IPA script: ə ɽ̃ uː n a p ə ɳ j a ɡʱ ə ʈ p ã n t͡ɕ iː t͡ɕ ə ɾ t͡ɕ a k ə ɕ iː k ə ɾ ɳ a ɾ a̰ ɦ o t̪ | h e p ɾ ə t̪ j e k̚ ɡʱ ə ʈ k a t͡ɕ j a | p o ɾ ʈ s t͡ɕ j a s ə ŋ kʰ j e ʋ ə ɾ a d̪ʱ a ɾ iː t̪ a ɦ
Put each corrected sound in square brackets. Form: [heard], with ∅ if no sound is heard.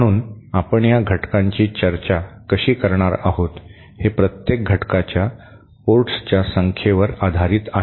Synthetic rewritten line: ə ɽ̃ uː n a p ə ɳ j a ɡʱ ə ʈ [k] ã [ɲ] t͡ɕ iː t͡ɕ ə ɾ t͡ɕ a k ə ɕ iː k ə ɾ ɳ a ɾ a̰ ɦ o t̪ | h e p ɾ ə t̪ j e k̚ ɡʱ ə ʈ k a t͡ɕ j a | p o ɾ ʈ s t͡ɕ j a s ə ŋ kʰ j e ʋ ə ɾ a d̪ʱ a ɾ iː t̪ a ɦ

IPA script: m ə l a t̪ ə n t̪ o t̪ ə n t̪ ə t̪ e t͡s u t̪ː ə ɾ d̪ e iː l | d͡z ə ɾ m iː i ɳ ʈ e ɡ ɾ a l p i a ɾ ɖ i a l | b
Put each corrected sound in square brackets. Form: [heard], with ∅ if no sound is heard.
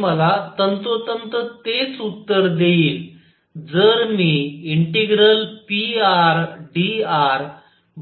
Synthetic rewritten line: m ə l a t̪ ə n t̪ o t̪ ə n t̪ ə t̪ e t͡s u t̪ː ə ɾ d̪ e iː l | d͡z ə ɾ m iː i ɳ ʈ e ɡ ɾ [ə] l p i a ɾ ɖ i a [ɾ] | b

